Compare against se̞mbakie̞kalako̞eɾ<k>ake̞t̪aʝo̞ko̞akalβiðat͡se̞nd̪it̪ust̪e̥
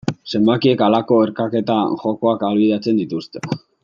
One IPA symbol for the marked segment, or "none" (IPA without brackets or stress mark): k